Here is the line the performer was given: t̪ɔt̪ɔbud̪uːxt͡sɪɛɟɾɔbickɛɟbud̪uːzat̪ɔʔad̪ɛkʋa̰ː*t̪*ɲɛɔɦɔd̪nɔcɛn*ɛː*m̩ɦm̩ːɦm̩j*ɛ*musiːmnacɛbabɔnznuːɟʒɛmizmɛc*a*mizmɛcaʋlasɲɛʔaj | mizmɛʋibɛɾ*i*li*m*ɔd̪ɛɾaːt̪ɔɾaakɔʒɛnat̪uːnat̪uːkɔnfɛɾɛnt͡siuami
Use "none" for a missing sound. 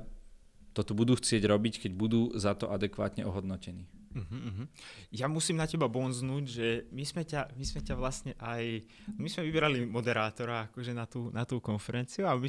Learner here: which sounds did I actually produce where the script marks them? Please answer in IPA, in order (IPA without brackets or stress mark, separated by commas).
t̪, iː, a, a, a, m